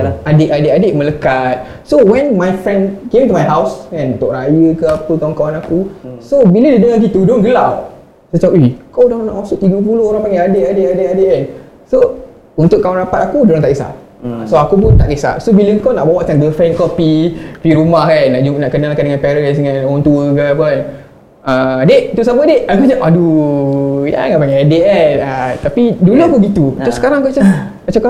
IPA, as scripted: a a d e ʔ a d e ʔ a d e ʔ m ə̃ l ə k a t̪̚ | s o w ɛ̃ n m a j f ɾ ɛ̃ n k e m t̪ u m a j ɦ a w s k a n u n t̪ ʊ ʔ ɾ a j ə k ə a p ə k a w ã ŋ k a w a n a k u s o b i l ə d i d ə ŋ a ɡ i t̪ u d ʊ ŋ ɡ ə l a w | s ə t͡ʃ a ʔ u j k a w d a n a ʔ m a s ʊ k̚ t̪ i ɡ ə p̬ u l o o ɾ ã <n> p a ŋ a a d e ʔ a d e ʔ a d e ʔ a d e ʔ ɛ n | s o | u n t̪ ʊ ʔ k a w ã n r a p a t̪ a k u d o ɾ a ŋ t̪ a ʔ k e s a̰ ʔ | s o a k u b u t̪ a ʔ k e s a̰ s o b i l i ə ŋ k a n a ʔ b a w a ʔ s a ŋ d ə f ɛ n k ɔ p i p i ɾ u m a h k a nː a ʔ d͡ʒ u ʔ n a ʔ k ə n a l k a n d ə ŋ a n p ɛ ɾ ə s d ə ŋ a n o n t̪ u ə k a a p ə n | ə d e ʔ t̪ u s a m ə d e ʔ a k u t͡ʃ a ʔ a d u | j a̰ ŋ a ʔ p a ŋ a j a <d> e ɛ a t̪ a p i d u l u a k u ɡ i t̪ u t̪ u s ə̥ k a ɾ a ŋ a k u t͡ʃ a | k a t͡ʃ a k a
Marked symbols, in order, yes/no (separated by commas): no, yes